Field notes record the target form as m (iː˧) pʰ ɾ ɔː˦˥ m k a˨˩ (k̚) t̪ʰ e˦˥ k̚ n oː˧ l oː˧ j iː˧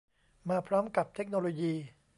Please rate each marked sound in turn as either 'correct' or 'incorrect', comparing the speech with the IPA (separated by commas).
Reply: incorrect, incorrect